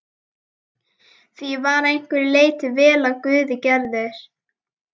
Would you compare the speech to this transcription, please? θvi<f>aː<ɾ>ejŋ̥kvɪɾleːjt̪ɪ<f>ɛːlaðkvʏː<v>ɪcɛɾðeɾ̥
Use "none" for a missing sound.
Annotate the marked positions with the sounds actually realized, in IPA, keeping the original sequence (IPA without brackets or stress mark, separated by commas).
v, ɾ, v, ð